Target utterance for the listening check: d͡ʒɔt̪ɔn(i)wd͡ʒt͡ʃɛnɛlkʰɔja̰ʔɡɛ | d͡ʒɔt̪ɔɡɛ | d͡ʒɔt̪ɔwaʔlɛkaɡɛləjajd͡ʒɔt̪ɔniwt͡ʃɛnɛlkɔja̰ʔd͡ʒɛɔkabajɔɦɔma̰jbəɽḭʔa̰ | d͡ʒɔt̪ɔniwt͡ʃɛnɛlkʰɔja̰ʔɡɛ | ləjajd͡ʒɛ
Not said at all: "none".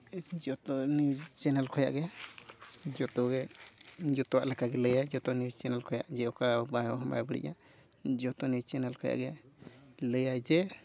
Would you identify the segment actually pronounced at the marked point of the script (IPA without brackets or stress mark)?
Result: i